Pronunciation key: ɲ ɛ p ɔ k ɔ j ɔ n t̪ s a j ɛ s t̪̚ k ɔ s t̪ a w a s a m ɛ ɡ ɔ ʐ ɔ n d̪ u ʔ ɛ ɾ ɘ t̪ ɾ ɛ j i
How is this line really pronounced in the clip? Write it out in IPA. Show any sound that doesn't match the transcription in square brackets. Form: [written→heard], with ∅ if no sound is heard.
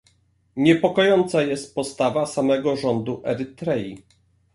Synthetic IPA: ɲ ɛ p ɔ k ɔ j ɔ n t̪ s a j ɛ s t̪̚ [k→p] ɔ s t̪ a [w→v] a s a m ɛ ɡ ɔ ʐ ɔ n d̪ u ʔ ɛ ɾ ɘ t̪ ɾ ɛ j i